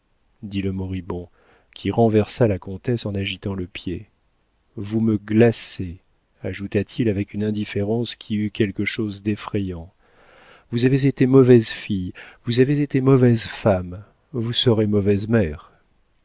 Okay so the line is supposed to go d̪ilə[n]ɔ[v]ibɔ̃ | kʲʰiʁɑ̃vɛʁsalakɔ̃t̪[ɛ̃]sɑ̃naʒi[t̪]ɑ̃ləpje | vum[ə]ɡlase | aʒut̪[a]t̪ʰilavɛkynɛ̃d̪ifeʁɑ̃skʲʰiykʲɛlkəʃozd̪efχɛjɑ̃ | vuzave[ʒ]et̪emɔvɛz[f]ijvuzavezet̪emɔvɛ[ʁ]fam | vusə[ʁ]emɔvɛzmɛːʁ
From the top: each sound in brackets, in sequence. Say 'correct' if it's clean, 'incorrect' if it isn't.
incorrect: m, incorrect: ʁ, incorrect: ɛ, correct, correct, correct, incorrect: z, correct, incorrect: z, correct

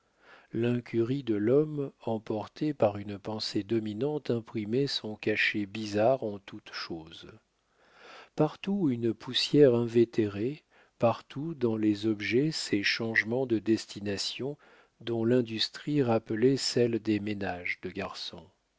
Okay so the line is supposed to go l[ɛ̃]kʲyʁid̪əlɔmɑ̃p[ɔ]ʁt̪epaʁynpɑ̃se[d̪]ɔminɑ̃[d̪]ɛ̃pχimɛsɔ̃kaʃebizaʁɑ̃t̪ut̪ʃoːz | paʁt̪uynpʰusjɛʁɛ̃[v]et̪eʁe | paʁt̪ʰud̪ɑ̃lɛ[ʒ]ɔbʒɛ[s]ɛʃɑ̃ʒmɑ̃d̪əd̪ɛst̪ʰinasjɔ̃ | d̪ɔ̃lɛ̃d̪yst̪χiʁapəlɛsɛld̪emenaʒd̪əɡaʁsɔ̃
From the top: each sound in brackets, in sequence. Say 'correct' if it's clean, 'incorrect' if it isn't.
correct, correct, correct, incorrect: t̪, correct, incorrect: z, correct

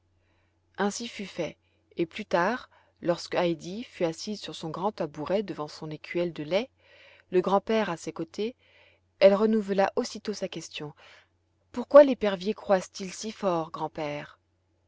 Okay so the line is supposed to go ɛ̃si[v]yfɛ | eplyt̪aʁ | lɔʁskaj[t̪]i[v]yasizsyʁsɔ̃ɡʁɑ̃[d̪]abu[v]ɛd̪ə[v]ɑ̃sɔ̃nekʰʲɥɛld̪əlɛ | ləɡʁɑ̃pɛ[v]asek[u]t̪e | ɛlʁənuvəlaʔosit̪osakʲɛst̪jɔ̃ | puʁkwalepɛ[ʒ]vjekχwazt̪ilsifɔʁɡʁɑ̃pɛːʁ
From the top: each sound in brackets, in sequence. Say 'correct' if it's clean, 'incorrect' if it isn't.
incorrect: f, incorrect: d̪, incorrect: f, incorrect: t̪, incorrect: ʁ, correct, incorrect: ʁ, incorrect: o, incorrect: ʁ

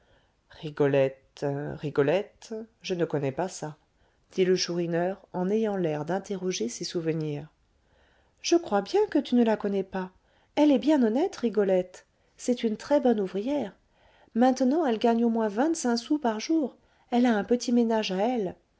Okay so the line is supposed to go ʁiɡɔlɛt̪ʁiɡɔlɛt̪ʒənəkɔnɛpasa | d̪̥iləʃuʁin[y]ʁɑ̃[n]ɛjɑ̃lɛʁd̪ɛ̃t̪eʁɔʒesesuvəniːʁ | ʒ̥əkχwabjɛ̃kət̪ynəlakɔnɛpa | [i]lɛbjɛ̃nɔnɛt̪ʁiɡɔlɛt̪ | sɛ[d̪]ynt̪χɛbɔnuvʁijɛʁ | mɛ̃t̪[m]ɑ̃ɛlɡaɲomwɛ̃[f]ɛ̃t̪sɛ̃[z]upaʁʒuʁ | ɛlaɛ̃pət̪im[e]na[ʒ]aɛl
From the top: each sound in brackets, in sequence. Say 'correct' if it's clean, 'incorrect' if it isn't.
incorrect: œ, correct, incorrect: ɛ, incorrect: t̪, incorrect: n, incorrect: v, incorrect: s, correct, correct

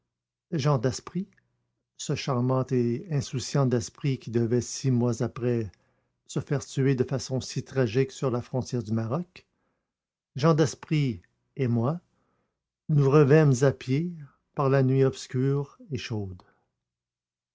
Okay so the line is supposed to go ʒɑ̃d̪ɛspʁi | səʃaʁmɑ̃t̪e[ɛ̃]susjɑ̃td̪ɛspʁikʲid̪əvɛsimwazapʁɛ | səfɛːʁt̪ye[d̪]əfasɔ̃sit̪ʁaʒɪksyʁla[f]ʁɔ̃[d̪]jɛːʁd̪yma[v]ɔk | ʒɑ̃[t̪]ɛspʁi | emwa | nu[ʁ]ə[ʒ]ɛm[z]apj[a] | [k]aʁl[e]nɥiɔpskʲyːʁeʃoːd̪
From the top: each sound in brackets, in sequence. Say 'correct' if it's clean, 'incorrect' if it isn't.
correct, correct, correct, incorrect: t̪, incorrect: ʁ, incorrect: d̪, correct, incorrect: v, correct, incorrect: e, incorrect: p, incorrect: a

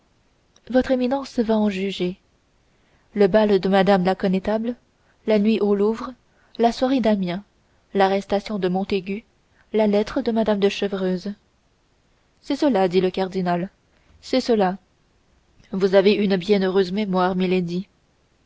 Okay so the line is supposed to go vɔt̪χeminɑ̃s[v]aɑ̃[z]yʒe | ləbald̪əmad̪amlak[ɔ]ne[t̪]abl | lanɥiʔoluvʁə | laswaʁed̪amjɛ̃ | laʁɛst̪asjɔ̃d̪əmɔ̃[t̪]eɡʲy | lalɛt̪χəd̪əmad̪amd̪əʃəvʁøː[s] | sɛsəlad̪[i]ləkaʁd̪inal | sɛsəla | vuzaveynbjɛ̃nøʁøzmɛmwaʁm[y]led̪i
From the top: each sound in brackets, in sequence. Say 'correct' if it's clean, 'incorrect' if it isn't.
correct, incorrect: ʒ, correct, correct, correct, incorrect: z, correct, incorrect: i

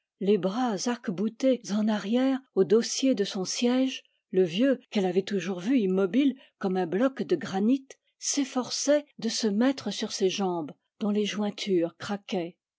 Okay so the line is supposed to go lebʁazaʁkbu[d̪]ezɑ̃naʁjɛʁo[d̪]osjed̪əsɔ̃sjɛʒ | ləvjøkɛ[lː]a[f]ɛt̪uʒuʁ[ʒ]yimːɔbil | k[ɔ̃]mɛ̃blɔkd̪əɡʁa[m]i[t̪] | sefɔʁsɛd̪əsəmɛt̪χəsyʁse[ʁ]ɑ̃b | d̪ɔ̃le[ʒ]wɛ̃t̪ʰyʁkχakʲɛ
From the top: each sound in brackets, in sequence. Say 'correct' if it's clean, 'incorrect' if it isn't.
incorrect: t̪, correct, incorrect: l, incorrect: v, incorrect: v, incorrect: ɔ, incorrect: n, correct, incorrect: ʒ, correct

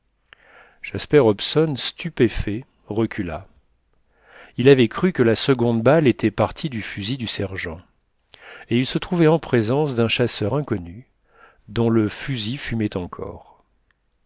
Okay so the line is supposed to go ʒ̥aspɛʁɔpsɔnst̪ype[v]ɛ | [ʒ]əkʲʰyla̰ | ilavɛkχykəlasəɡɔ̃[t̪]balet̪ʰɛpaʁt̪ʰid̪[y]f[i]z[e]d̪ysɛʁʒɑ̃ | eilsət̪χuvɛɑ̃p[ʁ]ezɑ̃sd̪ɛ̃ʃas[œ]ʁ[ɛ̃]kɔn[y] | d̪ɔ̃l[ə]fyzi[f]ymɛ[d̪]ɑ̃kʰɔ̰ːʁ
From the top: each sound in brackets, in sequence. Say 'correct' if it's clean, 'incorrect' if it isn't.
incorrect: f, incorrect: ʁ, incorrect: d̪, correct, incorrect: y, incorrect: i, incorrect: χ, correct, correct, correct, correct, correct, incorrect: t̪

